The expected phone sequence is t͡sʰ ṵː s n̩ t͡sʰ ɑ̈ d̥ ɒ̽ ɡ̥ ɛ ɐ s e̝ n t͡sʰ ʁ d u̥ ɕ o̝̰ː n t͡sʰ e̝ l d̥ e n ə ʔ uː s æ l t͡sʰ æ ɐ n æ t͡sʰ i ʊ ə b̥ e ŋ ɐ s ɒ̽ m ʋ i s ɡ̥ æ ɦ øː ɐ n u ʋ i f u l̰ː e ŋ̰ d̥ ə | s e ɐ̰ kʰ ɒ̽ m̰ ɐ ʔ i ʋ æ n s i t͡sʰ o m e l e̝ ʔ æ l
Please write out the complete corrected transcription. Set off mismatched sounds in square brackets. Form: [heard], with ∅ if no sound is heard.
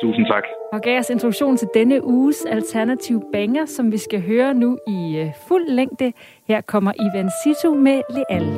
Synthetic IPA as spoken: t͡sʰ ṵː s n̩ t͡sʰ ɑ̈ [ɡ̥] ɒ̽ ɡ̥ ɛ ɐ s e̝ n t͡sʰ ʁ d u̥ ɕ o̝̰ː n t͡sʰ e̝ l d̥ e n ə ʔ uː s æ l t͡sʰ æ ɐ n æ t͡sʰ i ʊ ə b̥ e ŋ ɐ s ɒ̽ m ʋ i s ɡ̥ æ ɦ øː ɐ n u [∅] i f u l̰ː e ŋ̰ d̥ ə | [h] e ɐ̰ kʰ ɒ̽ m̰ ɐ ʔ i ʋ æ n s i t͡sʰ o m e l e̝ ʔ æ l